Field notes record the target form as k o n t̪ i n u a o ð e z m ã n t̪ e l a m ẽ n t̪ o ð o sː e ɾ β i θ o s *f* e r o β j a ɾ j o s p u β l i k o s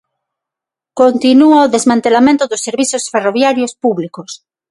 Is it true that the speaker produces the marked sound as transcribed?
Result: yes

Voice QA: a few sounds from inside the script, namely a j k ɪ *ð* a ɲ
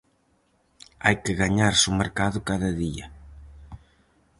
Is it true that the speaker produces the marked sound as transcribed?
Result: no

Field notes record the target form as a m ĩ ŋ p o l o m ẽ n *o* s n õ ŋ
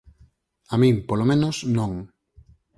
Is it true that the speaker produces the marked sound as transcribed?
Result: yes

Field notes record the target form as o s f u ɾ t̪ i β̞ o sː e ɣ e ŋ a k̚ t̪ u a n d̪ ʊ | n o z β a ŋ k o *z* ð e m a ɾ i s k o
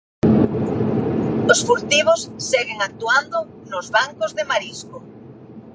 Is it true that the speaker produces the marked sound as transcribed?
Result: yes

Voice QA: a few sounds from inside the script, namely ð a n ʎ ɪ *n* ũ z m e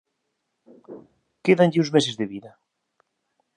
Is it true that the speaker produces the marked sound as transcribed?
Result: no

